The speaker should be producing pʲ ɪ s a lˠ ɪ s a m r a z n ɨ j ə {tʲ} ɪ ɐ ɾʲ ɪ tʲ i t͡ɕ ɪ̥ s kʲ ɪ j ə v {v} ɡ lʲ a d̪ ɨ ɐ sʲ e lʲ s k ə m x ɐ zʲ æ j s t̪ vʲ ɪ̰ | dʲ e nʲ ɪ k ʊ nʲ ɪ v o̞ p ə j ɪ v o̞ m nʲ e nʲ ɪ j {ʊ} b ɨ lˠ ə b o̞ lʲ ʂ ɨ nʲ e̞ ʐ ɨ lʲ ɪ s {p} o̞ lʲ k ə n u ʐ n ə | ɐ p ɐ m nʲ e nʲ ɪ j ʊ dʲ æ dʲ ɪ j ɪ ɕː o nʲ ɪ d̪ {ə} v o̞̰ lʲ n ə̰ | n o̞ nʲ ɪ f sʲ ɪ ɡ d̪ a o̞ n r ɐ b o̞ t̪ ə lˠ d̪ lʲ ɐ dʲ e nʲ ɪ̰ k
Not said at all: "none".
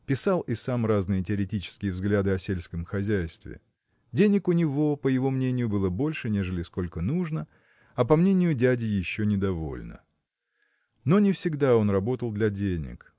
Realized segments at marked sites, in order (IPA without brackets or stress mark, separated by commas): tʲ, z, ʊ, k, ɐ